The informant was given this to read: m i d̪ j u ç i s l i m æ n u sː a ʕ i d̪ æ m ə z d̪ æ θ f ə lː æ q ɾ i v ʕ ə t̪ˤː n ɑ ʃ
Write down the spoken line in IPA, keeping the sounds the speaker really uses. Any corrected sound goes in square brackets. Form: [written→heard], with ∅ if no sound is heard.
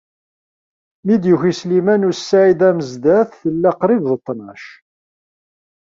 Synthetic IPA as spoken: m i d̪ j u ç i s l i m æ n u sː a ʕ i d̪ æ m ə z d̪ æ θ [f→θ] ə lː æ q ɾ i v [ʕ→ð] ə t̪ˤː n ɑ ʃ

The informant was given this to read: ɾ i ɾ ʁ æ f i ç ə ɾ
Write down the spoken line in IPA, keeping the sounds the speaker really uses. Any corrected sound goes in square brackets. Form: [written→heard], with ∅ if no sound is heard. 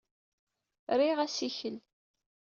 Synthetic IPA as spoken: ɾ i [ɾ→∅] ʁ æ [f→s] i ç ə [ɾ→l]

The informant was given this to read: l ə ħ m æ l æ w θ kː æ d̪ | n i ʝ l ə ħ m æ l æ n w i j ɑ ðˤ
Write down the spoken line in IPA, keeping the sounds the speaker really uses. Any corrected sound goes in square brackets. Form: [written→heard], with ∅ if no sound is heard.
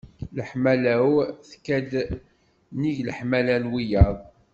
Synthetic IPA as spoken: l ə ħ m æ l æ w θ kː æ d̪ | n i ʝ l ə ħ m æ l æ n w i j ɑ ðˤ

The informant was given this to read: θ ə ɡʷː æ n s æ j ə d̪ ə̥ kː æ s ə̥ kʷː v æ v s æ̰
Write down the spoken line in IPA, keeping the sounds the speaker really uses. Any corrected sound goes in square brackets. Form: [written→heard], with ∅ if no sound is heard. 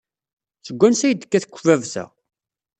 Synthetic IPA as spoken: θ ə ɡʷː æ n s æ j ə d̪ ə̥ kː æ [s→θ] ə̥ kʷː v æ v s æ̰

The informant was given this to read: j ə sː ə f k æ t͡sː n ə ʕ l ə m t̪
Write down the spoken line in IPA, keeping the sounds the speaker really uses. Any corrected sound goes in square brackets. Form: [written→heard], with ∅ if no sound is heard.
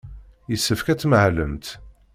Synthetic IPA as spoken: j ə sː ə f k æ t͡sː [n→m] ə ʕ l ə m t̪

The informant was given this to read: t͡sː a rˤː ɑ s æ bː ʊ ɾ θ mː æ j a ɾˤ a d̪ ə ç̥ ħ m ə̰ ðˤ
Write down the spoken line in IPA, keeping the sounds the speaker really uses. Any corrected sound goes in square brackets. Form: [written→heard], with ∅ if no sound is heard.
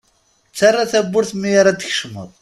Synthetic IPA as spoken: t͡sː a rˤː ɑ [s→θ] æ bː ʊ ɾ θ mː [æ→i] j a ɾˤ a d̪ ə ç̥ [ħ→ʃ] m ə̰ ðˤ

